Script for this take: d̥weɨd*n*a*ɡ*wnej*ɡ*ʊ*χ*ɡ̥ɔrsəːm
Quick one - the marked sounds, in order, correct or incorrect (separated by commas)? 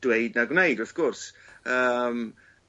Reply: correct, correct, incorrect, incorrect